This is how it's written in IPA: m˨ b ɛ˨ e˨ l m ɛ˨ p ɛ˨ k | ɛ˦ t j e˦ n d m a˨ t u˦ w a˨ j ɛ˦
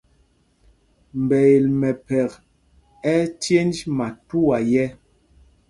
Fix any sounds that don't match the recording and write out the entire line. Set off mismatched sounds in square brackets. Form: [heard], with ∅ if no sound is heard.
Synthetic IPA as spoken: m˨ b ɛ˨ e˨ l m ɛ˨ p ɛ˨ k | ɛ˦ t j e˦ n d m a˨ t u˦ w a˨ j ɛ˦

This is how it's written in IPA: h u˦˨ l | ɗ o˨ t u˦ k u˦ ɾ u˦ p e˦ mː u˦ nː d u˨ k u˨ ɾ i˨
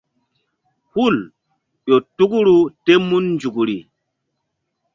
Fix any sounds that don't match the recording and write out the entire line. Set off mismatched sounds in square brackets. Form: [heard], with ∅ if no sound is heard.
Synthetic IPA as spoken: h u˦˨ l | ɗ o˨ t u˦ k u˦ ɾ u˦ [t] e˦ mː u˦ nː [d͡ʒ] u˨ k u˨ ɾ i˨

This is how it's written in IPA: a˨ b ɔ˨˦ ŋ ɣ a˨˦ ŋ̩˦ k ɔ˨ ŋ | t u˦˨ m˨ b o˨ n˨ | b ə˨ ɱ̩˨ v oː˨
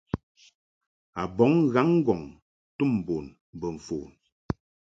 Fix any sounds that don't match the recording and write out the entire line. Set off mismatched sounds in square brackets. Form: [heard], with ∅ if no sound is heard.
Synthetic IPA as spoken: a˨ b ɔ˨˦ ŋ ɣ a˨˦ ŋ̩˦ [ɡ] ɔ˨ ŋ | t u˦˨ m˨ b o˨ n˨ | b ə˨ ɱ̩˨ [f] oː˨

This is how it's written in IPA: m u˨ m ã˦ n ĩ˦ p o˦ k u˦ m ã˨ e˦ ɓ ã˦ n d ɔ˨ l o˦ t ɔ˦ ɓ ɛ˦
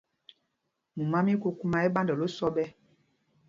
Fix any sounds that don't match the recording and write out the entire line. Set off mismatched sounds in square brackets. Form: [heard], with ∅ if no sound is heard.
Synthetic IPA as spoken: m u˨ m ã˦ [m] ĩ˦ [k] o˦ k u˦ m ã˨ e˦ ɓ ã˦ n d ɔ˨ l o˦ [s] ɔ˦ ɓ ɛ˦

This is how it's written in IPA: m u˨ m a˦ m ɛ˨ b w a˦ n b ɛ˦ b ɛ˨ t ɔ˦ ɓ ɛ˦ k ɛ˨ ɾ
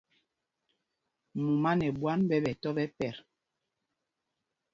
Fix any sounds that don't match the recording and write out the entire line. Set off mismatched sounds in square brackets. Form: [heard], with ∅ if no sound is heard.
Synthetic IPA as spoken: m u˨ m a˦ [n] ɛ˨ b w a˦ n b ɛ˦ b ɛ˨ t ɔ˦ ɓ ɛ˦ [p] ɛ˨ ɾ

